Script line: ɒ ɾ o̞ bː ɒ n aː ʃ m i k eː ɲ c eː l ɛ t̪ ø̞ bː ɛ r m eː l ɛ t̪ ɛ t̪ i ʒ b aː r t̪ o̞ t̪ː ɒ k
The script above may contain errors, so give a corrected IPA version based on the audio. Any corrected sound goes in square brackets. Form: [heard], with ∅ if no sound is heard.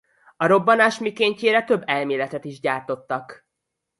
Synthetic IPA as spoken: ɒ ɾ o̞ bː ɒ n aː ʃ m i k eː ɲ c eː [ɾ] ɛ t̪ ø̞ bː ɛ [l] m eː l ɛ t̪ ɛ t̪ i ʒ [ɟ] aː r t̪ o̞ t̪ː ɒ k